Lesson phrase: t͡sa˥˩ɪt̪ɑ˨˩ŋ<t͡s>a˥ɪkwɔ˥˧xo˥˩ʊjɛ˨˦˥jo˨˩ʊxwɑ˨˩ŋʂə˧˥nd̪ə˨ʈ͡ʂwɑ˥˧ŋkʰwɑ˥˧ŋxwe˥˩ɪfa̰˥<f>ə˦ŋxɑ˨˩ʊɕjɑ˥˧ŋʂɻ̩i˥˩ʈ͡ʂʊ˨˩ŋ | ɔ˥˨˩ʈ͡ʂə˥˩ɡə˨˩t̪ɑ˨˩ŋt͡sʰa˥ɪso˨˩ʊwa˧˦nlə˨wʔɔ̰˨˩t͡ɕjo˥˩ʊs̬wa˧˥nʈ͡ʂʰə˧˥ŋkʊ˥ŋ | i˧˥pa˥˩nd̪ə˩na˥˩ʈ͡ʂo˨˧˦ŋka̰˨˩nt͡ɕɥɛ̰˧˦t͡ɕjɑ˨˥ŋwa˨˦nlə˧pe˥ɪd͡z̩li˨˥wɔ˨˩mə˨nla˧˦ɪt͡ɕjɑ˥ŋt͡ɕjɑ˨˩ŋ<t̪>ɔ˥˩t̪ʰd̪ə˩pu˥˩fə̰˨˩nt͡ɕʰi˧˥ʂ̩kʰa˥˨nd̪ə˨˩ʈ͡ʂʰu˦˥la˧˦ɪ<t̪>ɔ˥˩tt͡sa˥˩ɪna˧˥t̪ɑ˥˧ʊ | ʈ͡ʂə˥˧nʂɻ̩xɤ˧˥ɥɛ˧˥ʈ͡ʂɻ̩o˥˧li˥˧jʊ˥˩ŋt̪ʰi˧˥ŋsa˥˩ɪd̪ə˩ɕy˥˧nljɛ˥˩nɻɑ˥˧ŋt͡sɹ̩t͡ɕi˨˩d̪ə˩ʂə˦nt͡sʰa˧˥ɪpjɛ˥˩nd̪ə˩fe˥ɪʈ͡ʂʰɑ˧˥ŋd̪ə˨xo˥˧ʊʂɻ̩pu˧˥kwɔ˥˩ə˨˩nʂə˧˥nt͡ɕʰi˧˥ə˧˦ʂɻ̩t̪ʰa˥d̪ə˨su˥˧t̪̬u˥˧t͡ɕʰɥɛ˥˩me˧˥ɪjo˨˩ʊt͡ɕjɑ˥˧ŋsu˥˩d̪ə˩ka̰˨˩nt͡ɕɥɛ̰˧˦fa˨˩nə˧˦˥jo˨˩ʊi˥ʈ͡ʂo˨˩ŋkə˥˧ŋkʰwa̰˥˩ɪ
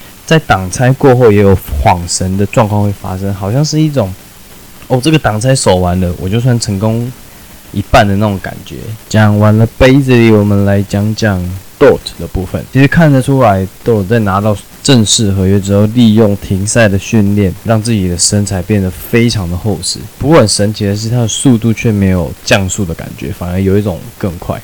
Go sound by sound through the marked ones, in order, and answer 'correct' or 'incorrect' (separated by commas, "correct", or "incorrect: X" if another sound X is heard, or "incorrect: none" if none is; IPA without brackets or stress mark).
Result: incorrect: t͡sʰ, incorrect: ʂ, correct, correct